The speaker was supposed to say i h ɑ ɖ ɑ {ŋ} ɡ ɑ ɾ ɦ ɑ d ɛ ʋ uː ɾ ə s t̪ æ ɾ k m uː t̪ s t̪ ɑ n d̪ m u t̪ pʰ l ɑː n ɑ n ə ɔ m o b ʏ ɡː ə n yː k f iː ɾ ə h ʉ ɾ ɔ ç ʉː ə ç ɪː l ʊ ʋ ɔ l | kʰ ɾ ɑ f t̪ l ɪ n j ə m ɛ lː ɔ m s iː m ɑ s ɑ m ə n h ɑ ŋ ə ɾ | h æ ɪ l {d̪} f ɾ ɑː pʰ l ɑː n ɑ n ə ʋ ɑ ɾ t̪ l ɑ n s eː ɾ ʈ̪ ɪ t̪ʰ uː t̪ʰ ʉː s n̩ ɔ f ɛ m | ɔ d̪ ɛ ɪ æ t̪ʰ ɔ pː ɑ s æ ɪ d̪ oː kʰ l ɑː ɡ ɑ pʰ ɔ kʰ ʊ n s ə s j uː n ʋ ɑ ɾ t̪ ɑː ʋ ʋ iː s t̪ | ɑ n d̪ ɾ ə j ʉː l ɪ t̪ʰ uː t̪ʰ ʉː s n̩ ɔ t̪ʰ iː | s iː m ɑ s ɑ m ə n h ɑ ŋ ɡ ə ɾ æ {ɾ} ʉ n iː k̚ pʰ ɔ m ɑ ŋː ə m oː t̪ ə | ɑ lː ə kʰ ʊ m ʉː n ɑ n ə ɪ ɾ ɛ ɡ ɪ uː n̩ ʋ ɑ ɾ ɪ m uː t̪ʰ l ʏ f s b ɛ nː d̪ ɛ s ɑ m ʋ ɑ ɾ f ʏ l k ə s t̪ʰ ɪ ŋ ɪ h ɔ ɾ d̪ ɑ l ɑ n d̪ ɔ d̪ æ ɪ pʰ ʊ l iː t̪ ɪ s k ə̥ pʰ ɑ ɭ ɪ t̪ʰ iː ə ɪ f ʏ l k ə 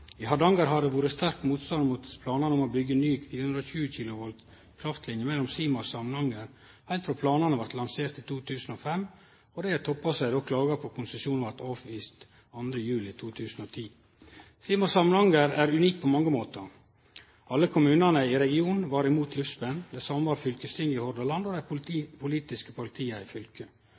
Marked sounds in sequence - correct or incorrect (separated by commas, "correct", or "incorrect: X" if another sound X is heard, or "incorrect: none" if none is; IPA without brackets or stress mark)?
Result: correct, incorrect: t̪, correct